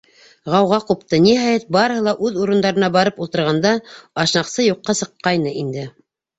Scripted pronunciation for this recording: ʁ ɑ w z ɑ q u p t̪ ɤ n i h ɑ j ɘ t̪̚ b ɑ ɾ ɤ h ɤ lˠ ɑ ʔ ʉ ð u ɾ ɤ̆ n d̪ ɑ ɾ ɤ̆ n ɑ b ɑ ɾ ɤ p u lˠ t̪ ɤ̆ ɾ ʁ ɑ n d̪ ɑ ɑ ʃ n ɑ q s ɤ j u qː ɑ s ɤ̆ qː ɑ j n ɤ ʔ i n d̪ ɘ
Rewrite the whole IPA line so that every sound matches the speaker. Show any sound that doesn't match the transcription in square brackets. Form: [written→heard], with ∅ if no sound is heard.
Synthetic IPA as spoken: ʁ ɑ w [z→ʁ] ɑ q u p t̪ ɤ n i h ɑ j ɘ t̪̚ b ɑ ɾ ɤ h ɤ lˠ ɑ ʔ ʉ ð u ɾ ɤ̆ n d̪ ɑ ɾ ɤ̆ n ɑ b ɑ ɾ ɤ p u lˠ t̪ ɤ̆ ɾ ʁ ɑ n d̪ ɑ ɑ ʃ n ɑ q s ɤ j u qː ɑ s ɤ̆ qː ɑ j n ɤ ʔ i n d̪ ɘ